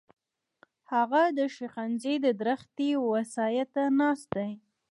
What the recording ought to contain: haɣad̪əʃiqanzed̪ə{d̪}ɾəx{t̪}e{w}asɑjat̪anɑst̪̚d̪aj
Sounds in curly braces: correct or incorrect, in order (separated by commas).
correct, correct, correct